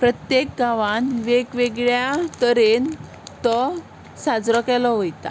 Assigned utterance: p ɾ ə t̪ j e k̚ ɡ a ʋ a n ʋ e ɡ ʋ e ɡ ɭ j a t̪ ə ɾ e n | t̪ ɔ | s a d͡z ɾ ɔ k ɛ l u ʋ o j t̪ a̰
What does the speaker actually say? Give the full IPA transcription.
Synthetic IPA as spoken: p ɾ ə t̪ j e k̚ ɡ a ʋ a n ʋ e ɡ ʋ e ɡ ɭ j a t̪ ə ɾ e n | t̪ ɔ | s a d͡z ɾ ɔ k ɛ l ɔ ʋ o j t̪ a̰